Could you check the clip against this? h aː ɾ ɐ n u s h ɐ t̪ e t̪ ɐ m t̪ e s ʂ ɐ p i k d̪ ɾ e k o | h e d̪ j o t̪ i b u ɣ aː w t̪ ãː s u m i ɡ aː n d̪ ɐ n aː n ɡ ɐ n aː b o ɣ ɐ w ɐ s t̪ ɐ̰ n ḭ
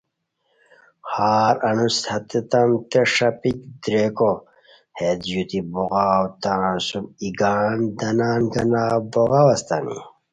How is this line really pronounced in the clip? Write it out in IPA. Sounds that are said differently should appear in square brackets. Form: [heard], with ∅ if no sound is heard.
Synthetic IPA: h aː ɾ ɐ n u s h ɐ t̪ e t̪ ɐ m t̪ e [∅] ʂ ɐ p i k d̪ ɾ e k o | h e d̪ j [u] t̪ i b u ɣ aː w t̪ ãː s u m i ɡ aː n d̪ ɐ n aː n ɡ ɐ n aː b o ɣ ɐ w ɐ s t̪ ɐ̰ n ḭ